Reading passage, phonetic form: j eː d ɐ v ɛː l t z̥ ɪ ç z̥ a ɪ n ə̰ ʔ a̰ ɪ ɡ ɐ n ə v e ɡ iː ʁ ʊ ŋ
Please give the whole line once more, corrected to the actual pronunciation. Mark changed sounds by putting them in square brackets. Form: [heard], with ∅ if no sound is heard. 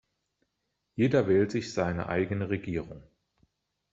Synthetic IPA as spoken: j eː d ɐ v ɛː l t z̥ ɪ ç z̥ a ɪ n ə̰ ʔ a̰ ɪ ɡ [ə] n ə [ʁ] e ɡ iː ʁ ʊ ŋ

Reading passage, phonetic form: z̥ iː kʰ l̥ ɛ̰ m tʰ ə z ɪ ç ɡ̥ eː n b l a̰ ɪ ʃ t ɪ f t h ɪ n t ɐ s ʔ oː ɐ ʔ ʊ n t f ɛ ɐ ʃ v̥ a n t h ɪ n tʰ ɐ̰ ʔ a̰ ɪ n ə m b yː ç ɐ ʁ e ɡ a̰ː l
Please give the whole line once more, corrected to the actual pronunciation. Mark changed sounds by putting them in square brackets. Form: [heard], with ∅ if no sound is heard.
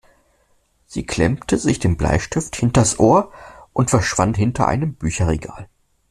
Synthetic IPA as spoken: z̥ iː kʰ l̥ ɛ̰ m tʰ ə z ɪ ç [d̥] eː [m] b l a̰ ɪ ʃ t ɪ f t h ɪ n t ɐ s ʔ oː ɐ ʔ ʊ n t f ɛ ɐ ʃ v̥ a n t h ɪ n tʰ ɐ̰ ʔ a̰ ɪ n ə m b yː ç ɐ ʁ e ɡ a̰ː l

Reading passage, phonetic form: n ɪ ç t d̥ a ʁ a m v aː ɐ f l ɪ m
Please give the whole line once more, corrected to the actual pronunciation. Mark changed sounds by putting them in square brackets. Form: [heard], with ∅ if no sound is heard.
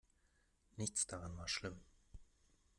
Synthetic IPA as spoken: n ɪ ç [t͡s] d̥ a ʁ a [n] v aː ɐ [ʃ] l ɪ m

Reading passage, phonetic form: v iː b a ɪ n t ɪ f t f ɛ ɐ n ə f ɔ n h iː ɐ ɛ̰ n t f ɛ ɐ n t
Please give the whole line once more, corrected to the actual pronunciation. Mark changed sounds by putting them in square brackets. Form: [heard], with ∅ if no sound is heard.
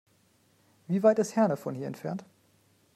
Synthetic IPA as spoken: v iː [v] a ɪ [∅] t ɪ [s] t [h] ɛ ɐ n ə f ɔ n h iː ɐ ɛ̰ n t f ɛ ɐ n t

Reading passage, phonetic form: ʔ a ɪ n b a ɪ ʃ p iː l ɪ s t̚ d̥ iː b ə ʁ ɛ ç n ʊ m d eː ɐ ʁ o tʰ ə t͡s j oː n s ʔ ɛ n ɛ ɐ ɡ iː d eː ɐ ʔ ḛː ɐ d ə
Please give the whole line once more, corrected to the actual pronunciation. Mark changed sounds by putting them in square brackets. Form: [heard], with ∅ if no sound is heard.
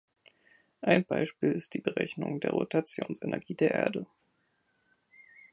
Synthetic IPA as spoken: ʔ a ɪ n b a ɪ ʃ p iː l ɪ s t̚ d̥ iː b ə ʁ ɛ ç n ʊ [ŋ] d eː ɐ ʁ o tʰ [a] t͡s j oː n s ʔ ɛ n ɛ ɐ ɡ iː d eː ɐ ʔ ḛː ɐ d ə

